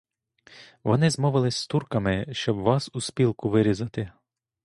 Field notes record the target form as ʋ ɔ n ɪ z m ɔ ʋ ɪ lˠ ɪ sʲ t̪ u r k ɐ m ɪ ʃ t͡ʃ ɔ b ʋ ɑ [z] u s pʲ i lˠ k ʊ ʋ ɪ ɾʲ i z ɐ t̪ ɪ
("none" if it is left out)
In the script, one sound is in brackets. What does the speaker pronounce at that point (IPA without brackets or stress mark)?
s